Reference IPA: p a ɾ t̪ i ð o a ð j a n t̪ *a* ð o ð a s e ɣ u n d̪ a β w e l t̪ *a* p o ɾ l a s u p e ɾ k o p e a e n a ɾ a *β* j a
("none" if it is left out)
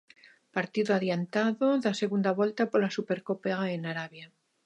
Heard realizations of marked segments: a, a, β

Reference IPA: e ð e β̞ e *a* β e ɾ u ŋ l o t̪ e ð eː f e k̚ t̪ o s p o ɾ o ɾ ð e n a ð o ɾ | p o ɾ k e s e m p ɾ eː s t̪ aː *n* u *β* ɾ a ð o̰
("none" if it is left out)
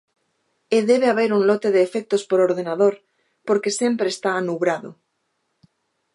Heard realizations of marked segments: a, n, β

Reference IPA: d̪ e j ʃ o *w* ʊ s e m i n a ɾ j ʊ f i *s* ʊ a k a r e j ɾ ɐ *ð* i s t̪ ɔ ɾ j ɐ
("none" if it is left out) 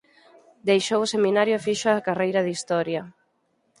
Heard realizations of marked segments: w, ʃ, ð

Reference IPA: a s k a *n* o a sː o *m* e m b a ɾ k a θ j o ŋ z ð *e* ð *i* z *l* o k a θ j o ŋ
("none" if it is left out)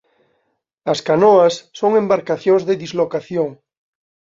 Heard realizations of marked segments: n, ŋ, e, i, l

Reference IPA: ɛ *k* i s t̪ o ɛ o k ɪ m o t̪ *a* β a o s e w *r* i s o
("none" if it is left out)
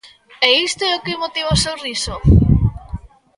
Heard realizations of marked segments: none, i, r

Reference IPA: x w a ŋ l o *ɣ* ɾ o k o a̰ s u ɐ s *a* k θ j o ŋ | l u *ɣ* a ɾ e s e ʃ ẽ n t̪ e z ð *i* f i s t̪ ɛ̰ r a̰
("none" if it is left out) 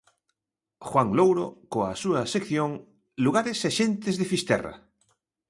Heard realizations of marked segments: w, e, ɣ, e

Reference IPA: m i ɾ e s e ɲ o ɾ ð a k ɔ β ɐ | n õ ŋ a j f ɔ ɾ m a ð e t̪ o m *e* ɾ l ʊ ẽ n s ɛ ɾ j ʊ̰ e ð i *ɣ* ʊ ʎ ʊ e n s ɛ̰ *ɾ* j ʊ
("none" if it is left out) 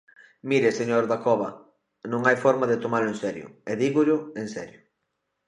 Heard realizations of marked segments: a, ɣ, ɾ

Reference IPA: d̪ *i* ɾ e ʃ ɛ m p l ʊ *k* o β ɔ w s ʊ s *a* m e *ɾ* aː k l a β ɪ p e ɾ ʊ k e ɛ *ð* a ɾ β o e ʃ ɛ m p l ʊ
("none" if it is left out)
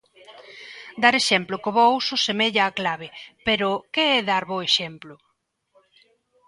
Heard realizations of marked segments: a, k, e, ʎ, ð

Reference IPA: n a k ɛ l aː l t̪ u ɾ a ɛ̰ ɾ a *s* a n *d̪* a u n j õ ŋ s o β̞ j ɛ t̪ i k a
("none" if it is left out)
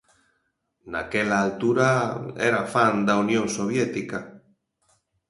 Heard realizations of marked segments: f, d̪

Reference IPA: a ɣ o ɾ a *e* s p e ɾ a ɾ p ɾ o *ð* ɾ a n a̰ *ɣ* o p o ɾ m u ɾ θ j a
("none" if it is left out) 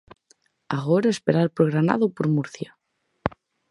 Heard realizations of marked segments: e, ɣ, ð

